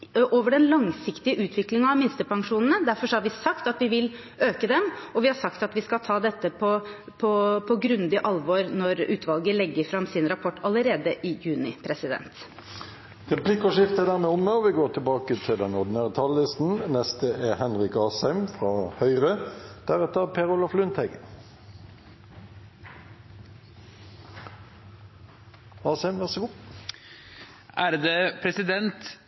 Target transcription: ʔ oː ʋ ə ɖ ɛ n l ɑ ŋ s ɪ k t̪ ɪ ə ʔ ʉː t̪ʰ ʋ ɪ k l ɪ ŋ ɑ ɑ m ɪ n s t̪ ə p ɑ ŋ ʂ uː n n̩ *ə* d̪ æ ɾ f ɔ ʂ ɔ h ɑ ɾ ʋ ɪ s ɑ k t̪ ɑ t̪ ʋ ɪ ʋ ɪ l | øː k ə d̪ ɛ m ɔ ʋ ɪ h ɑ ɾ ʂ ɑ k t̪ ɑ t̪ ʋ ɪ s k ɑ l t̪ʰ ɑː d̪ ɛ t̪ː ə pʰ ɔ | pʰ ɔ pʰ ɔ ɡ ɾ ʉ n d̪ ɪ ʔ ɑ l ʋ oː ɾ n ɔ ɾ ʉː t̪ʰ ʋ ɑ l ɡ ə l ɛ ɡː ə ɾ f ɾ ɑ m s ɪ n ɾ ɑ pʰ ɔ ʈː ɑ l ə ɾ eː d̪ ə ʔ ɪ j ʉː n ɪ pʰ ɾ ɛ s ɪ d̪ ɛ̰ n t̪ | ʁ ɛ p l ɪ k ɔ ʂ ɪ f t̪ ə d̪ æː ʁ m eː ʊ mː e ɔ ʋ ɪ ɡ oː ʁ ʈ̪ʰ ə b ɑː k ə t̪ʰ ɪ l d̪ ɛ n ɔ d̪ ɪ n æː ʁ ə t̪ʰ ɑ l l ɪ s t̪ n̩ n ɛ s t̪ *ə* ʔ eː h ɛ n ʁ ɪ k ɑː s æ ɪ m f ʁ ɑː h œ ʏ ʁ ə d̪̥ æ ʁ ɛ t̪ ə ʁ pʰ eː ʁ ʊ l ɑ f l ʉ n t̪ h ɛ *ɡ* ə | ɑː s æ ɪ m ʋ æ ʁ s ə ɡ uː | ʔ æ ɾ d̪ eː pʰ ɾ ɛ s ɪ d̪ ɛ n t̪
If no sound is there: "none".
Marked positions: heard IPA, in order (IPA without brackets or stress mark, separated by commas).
ə, ə, ɡ